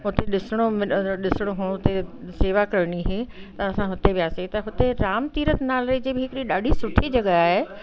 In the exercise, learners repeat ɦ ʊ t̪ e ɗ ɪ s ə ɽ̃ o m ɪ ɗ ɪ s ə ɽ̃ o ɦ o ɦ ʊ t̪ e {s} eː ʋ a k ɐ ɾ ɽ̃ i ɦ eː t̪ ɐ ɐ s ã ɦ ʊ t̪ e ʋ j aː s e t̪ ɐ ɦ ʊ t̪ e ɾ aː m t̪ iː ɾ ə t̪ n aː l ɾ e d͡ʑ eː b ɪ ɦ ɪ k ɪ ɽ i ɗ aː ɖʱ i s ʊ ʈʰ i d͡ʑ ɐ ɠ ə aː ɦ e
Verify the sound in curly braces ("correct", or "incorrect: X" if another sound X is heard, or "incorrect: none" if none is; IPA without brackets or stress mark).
correct